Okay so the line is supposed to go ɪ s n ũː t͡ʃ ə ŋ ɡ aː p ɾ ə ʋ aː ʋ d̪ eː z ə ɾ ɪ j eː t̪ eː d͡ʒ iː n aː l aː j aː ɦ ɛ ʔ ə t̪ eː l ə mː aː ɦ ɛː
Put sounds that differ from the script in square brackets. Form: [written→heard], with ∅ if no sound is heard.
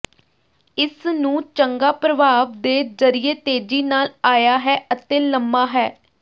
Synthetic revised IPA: ɪ s n ũː t͡ʃ ə ŋ ɡ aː p ɾ ə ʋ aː ʋ d̪ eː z ə ɾ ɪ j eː t̪ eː d͡ʒ iː n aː l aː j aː ɦ [ɛ→ɛː] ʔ ə t̪ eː l ə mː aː ɦ ɛː